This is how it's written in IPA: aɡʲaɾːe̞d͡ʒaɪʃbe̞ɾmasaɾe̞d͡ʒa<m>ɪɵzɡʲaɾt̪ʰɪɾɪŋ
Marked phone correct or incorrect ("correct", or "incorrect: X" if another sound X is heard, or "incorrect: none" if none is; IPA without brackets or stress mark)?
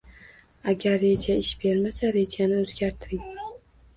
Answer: incorrect: n